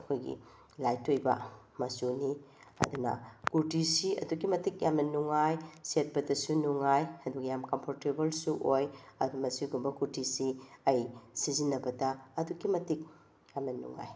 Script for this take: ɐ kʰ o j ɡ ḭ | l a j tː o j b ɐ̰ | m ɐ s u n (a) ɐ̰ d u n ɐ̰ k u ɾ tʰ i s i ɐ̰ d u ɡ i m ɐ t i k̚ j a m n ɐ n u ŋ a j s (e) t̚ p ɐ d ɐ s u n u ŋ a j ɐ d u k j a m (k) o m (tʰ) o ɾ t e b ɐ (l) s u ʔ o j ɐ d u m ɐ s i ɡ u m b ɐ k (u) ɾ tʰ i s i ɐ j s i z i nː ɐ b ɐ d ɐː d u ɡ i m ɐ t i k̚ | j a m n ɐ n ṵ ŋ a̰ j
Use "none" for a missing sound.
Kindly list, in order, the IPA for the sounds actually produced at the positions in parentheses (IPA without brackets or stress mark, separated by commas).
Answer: i, e, k, pʰ, l, u